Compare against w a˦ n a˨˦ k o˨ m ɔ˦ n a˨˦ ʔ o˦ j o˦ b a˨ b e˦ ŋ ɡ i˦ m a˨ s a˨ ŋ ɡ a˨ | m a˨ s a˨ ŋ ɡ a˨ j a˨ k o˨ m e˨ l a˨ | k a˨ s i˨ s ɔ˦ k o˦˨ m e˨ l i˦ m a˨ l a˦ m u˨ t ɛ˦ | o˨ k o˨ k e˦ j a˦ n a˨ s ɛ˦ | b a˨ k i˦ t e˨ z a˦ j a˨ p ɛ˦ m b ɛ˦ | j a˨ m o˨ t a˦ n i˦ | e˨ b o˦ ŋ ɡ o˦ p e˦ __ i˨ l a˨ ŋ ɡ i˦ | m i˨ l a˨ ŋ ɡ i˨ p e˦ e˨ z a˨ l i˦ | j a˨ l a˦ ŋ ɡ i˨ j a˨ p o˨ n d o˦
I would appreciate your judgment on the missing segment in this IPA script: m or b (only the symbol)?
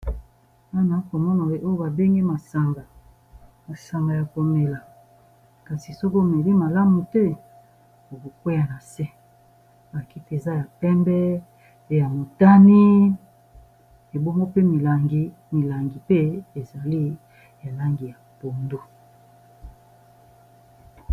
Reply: m